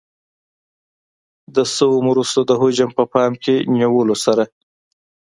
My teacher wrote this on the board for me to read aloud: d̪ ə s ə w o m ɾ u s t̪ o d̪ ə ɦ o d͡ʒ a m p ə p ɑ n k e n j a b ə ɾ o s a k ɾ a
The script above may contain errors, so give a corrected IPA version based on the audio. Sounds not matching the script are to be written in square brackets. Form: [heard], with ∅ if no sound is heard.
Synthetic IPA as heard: d̪ ə s ə w o m ɾ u s t̪ o d̪ ə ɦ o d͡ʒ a m p ə p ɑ [m] k e n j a [w] ə [l] o s a [∅] ɾ a